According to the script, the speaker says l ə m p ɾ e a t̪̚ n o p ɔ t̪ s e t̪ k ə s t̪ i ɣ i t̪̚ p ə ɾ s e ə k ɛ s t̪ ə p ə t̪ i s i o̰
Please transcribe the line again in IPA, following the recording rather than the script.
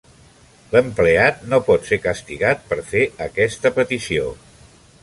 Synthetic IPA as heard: l ə m p l e a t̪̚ n o p ɔ t̪ s e k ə s t̪ i ɣ a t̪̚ p ə ɾ f e ə k ɛ s t̪ ə p ə t̪ i s i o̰